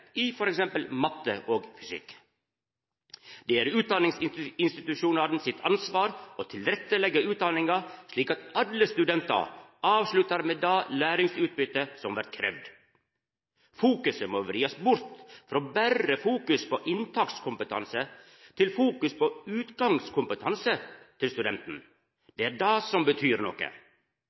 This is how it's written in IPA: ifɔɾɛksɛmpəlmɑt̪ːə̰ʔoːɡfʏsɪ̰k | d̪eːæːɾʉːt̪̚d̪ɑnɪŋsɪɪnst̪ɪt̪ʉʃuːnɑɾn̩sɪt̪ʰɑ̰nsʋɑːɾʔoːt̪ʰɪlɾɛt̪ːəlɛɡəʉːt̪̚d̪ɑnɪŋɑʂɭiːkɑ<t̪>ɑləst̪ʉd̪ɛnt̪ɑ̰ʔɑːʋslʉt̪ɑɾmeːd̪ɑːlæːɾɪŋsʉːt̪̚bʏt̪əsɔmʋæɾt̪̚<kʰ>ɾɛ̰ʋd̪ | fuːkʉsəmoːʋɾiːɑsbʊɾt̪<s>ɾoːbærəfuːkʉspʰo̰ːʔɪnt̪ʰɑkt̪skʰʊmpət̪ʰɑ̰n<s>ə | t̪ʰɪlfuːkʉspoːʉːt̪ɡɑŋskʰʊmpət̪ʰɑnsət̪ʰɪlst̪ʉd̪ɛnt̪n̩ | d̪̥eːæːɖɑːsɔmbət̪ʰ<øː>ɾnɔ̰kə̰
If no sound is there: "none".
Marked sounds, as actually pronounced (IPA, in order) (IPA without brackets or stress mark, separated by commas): t̪, kʰ, f, s, yː